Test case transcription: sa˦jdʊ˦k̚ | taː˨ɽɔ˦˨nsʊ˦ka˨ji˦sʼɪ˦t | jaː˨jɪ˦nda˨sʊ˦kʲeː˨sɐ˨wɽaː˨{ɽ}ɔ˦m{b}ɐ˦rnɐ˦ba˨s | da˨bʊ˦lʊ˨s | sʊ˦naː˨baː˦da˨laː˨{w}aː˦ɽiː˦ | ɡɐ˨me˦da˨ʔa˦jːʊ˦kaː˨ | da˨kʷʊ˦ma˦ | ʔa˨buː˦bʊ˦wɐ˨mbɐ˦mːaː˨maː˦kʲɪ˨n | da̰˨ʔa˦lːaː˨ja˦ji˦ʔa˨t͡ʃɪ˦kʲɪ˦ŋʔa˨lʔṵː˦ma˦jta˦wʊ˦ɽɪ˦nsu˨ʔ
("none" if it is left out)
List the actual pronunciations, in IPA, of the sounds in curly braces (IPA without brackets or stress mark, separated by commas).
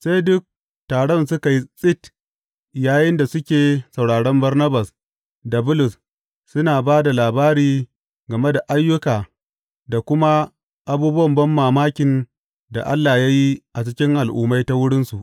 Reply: ɽ, b, b